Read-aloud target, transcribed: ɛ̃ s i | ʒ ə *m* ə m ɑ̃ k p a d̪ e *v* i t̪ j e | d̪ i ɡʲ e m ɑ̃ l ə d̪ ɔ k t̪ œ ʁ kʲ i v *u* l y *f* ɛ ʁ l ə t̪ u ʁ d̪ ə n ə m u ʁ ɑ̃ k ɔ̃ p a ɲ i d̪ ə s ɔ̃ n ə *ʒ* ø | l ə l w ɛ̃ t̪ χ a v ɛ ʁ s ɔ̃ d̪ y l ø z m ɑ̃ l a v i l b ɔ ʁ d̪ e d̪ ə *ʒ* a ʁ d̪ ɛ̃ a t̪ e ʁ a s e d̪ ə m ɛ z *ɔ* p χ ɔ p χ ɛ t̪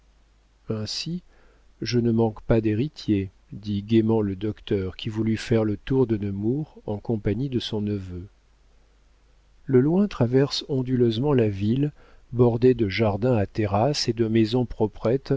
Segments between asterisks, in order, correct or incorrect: incorrect: n, incorrect: ʁ, correct, correct, incorrect: v, correct, incorrect: ɔ̃

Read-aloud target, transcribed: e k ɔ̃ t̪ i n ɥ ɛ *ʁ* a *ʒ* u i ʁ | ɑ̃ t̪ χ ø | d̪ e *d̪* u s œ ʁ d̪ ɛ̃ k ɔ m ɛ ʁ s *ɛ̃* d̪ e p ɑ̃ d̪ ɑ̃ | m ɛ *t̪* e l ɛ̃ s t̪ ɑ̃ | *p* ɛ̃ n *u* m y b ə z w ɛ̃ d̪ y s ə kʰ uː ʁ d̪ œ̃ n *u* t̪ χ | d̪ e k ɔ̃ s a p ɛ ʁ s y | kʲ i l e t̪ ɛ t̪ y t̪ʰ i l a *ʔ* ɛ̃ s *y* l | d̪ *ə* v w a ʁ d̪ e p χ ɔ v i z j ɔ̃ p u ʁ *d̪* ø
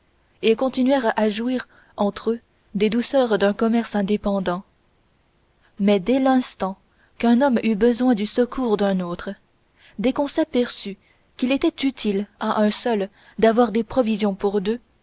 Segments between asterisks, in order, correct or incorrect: correct, correct, correct, correct, incorrect: d̪, incorrect: k, incorrect: ɔ, incorrect: o, correct, incorrect: œ, incorrect: a, correct

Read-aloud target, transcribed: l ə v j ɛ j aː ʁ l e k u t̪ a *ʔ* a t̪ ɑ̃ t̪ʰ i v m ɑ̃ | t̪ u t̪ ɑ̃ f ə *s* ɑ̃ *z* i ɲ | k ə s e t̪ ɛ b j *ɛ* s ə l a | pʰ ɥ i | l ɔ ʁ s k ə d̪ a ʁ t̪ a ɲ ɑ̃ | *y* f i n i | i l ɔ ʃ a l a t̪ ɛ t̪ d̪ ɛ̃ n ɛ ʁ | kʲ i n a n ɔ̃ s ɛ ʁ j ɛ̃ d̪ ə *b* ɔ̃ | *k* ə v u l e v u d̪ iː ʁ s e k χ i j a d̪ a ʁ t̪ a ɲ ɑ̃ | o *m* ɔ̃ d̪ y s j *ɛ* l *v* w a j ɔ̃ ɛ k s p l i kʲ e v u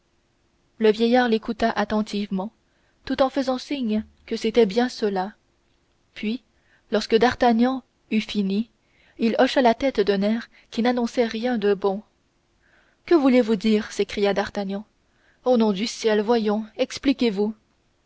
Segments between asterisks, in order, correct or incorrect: correct, incorrect: z, incorrect: s, incorrect: ɛ̃, correct, correct, correct, incorrect: n, correct, correct

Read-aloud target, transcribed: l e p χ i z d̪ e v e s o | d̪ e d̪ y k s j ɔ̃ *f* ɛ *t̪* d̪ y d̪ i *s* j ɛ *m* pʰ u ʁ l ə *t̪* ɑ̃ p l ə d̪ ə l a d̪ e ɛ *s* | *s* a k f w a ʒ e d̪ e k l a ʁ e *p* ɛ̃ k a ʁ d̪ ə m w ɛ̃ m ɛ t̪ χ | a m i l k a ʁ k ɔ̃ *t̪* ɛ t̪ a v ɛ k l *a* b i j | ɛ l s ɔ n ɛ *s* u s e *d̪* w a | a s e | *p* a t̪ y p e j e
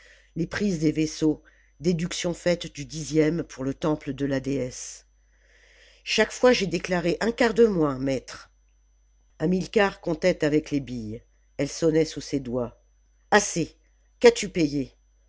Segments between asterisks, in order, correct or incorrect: correct, correct, incorrect: z, correct, correct, correct, incorrect: ʃ, incorrect: ʔ, correct, incorrect: e, correct, correct, incorrect: k

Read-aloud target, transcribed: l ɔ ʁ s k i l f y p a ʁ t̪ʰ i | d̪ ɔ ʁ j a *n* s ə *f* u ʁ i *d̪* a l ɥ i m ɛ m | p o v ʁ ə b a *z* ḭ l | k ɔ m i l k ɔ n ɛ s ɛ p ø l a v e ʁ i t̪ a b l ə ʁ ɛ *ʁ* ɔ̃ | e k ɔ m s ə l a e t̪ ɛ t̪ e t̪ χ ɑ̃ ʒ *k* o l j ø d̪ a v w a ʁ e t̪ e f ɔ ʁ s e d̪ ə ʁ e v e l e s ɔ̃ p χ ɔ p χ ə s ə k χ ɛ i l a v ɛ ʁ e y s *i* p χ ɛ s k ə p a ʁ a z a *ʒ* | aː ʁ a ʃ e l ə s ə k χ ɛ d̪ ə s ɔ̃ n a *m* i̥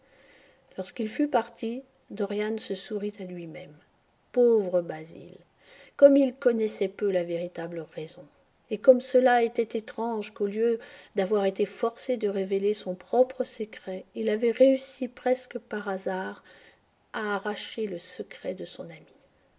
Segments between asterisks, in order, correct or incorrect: correct, incorrect: s, incorrect: t̪, correct, incorrect: z, correct, correct, incorrect: ʁ, correct

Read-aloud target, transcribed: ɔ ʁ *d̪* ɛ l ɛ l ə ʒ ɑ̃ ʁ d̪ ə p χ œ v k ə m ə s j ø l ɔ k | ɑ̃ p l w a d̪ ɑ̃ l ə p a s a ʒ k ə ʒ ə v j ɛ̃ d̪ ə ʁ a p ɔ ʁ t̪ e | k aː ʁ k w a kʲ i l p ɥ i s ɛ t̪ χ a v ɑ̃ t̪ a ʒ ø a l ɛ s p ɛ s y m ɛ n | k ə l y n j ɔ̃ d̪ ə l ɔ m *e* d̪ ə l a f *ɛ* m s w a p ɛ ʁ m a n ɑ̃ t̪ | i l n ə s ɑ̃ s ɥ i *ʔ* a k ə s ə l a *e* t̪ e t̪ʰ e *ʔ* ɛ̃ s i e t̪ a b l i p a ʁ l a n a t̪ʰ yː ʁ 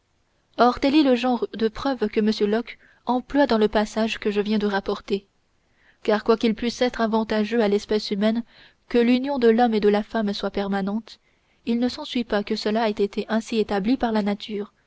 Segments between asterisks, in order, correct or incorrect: incorrect: t̪, correct, incorrect: a, incorrect: p, incorrect: ɛ, correct

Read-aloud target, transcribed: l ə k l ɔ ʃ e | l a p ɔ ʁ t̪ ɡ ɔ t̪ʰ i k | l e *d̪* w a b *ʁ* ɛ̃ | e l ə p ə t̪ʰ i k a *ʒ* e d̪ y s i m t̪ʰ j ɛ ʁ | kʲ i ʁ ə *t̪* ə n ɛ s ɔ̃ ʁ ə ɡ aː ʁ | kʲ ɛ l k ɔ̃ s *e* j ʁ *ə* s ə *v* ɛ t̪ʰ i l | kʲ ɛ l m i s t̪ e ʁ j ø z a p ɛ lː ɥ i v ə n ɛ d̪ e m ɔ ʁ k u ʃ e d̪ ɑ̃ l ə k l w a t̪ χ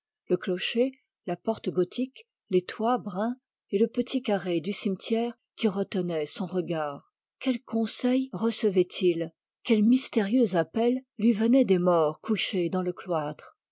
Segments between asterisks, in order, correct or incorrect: incorrect: t̪, correct, incorrect: ʁ, correct, incorrect: ɛ, correct, correct

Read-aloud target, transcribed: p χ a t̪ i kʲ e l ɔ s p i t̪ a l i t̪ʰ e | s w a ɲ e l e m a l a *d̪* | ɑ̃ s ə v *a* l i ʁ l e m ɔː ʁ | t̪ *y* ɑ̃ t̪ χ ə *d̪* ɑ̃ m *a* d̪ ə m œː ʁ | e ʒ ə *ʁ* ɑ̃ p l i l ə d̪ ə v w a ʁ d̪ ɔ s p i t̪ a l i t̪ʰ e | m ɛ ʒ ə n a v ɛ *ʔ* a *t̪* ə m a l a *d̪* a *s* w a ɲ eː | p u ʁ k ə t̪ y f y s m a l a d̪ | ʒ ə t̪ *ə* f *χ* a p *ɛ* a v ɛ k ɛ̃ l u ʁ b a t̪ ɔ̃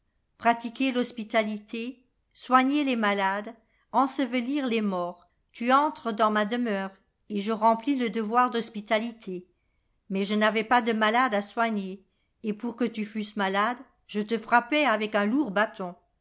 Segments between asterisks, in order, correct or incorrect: correct, incorrect: ə, correct, correct, correct, correct, incorrect: p, incorrect: d̪, correct, correct, correct, correct, correct

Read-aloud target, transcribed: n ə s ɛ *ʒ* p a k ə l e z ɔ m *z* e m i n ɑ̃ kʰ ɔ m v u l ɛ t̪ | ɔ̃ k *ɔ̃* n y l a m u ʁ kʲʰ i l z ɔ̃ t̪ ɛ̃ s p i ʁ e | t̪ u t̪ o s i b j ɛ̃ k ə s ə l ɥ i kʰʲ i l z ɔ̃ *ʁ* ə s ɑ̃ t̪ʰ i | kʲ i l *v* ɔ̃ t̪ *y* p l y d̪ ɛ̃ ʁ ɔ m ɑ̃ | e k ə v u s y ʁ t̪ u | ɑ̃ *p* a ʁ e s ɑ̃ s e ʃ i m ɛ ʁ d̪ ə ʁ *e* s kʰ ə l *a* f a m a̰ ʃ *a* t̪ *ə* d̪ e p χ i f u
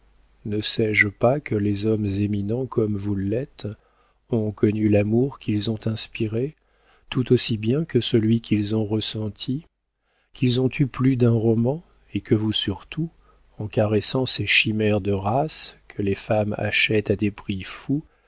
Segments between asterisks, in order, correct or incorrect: correct, correct, incorrect: ɔ, correct, incorrect: z, correct, incorrect: k, incorrect: a, incorrect: e, incorrect: ɛ, incorrect: a

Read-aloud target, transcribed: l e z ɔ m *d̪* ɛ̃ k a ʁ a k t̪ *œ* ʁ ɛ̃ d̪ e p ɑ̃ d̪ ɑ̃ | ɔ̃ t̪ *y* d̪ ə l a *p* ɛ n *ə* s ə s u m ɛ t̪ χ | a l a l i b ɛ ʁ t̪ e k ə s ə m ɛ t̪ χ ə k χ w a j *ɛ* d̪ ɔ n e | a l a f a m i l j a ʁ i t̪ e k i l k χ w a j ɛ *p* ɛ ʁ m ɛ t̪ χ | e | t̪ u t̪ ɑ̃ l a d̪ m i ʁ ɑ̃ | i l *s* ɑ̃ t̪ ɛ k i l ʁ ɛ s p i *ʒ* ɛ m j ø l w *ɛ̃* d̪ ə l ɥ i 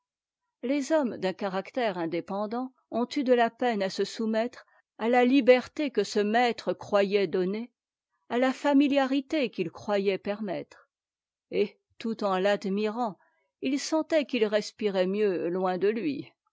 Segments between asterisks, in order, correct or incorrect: correct, incorrect: ɛ, correct, correct, incorrect: a, correct, correct, correct, incorrect: ʁ, correct

